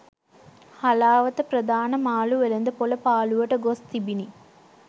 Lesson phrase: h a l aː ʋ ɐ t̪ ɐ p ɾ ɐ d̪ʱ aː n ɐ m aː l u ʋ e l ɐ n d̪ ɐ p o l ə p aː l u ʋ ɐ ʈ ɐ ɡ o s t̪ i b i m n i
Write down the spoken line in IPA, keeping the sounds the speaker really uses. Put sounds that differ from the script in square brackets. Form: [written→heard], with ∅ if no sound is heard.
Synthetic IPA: h [a→ɐ] l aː ʋ ɐ t̪ ɐ p ɾ ɐ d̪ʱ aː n ɐ m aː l u ʋ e l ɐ n d̪ ɐ p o l [ə→ɐ] p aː l u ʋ ɐ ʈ ɐ ɡ o s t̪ i b i [m→∅] n i

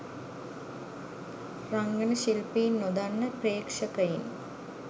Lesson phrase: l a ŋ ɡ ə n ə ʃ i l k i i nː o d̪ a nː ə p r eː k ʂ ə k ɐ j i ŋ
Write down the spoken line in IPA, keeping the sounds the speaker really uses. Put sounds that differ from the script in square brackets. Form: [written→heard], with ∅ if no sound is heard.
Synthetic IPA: [l→r] a ŋ ɡ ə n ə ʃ i l [k→p] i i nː o d̪ a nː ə p r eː k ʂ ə k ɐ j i [ŋ→n]

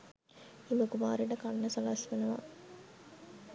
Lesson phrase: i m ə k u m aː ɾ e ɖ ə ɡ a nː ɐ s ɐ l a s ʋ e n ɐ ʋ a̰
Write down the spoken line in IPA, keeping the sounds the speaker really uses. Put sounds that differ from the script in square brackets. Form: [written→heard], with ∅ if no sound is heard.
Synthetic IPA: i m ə k u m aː ɾ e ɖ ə [ɡ→k] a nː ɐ s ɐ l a s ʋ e n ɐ ʋ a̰

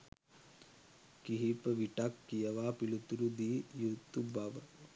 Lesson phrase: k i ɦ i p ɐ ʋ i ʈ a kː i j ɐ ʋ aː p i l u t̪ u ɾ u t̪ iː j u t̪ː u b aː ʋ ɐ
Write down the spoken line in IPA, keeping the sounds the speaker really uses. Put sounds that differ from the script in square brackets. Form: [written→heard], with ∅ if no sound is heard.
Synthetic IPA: k i ɦ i p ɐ ʋ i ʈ a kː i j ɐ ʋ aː p i l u t̪ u ɾ u [t̪→d̪] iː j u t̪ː u b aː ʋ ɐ

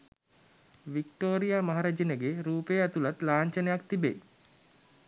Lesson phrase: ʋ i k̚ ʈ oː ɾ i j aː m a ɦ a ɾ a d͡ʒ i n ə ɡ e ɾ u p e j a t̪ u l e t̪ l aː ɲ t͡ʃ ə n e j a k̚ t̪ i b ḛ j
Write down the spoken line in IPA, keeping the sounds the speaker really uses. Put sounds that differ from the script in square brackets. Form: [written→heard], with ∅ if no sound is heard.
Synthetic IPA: ʋ i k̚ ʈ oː ɾ i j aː m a ɦ a ɾ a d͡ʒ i n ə ɡ e ɾ [u→uː] p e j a t̪ u l [e→a] t̪ l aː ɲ t͡ʃ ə n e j a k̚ t̪ i b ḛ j

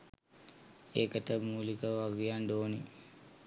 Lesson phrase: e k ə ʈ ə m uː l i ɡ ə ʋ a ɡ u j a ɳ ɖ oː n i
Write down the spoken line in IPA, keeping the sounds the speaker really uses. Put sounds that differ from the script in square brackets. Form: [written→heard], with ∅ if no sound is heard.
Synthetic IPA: e k ə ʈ ə m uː l i [ɡ→k] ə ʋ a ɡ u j a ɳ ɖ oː n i

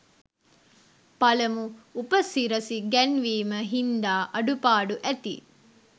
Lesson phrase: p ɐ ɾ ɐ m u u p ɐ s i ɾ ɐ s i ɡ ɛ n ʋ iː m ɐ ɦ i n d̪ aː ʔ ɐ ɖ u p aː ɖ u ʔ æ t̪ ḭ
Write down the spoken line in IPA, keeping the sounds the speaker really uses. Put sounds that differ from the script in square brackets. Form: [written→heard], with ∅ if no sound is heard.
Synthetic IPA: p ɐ [ɾ→l] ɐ m u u p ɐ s i ɾ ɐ s i ɡ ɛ n ʋ iː m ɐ ɦ i n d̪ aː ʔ ɐ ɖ u p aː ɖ u ʔ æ t̪ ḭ

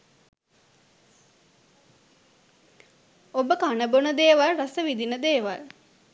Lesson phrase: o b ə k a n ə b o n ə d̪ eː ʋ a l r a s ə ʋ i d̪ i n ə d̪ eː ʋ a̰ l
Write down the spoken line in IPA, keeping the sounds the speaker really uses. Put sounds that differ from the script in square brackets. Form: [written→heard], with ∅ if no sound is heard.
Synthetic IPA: o b ə k a n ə b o n ə d̪ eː ʋ a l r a s ə ʋ i d̪ i n ə d̪ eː ʋ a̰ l

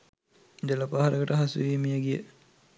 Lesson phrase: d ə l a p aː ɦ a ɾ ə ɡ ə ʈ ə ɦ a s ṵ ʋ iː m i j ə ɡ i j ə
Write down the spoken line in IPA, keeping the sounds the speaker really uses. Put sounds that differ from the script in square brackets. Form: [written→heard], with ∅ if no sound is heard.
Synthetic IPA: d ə l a p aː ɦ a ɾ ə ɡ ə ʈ ə ɦ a s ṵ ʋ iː m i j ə ɡ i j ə

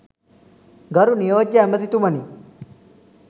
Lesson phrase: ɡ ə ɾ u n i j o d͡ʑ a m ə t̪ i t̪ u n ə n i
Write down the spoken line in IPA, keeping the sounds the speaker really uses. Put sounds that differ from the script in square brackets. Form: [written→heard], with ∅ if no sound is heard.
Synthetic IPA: ɡ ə ɾ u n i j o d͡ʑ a m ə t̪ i t̪ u [n→m] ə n i

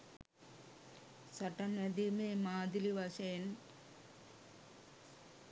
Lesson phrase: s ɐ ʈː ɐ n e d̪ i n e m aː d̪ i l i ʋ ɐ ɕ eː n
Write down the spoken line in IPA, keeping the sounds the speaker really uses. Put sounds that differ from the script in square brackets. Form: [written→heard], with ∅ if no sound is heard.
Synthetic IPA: s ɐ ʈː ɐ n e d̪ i [n→m] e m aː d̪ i l i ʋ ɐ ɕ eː n

